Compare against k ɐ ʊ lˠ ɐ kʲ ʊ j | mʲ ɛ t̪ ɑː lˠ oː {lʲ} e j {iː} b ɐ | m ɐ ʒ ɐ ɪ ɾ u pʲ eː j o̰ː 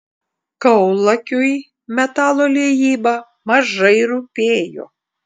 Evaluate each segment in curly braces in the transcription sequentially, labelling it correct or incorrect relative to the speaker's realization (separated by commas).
correct, correct